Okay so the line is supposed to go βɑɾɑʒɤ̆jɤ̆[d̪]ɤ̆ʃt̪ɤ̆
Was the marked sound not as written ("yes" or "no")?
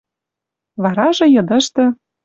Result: no